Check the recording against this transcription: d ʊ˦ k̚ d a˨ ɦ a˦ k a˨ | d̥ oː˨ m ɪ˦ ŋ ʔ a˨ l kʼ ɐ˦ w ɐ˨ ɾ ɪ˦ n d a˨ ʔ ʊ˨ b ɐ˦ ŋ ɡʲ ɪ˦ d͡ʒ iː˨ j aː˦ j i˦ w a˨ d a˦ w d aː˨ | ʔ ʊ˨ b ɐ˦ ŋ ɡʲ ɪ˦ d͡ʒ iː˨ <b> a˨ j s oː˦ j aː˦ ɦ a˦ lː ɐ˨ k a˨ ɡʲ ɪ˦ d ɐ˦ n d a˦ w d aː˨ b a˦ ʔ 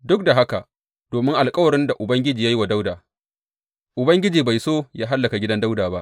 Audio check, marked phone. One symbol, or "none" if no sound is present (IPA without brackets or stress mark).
b